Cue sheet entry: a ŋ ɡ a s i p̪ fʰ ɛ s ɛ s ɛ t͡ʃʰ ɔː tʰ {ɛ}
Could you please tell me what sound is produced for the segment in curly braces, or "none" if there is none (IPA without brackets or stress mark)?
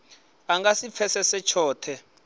ɛ